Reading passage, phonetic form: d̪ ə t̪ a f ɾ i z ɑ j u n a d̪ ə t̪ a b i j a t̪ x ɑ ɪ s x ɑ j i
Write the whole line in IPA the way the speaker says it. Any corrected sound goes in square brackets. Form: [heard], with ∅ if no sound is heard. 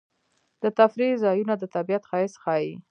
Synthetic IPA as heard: d̪ ə t̪ a f ɾ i z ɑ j u n a d̪ ə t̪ a b i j a t̪ x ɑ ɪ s x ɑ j i